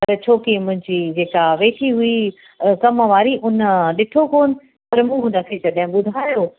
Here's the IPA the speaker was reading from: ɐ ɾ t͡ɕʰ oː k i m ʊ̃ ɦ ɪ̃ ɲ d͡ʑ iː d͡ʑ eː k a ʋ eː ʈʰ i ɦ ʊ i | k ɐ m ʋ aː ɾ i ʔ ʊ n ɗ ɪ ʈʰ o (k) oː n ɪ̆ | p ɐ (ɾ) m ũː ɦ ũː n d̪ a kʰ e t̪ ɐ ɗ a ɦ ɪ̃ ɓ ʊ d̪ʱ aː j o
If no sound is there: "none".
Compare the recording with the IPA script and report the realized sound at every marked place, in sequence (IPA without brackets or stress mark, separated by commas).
k, ɾ